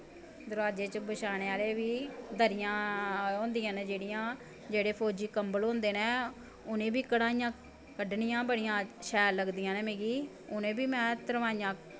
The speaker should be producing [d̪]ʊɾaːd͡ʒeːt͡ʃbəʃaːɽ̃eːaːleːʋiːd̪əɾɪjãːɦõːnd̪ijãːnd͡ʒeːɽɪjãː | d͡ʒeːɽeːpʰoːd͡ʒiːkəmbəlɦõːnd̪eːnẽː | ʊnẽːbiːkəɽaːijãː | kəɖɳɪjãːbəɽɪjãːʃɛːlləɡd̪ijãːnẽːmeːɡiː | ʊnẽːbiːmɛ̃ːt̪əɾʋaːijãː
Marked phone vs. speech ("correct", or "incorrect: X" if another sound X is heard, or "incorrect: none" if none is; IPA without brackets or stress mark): correct